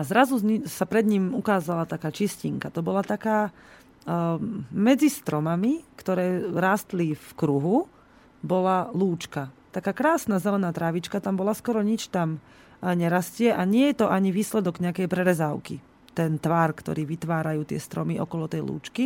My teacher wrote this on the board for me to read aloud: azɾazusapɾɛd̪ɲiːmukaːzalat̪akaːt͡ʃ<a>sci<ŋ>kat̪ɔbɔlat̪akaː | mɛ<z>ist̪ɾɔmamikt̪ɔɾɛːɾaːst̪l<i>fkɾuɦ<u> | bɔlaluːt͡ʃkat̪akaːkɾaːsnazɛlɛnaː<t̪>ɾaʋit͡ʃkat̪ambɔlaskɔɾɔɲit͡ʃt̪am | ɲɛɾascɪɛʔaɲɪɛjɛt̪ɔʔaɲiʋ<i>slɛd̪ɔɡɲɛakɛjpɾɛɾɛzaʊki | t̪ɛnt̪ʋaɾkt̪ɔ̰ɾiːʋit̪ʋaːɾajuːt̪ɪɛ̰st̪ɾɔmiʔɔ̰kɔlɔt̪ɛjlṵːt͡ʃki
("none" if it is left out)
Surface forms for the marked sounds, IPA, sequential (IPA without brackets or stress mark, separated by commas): i, ŋ, d͡z, i, u, t̪, iː